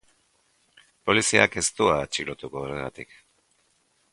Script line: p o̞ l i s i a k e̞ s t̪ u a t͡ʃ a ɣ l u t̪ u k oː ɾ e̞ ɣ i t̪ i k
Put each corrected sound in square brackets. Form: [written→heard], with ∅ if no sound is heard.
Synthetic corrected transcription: p o̞ l i s i a k e̞ s t̪ u a t͡ʃ [a→i] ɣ l [u→o] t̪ u k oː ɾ e̞ ɣ [i→a] t̪ i k